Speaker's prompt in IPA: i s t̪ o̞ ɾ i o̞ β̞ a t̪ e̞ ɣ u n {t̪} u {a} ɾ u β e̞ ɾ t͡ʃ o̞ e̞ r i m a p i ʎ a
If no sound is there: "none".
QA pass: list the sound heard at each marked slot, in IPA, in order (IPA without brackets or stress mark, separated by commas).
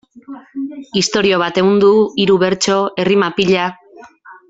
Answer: d̪, i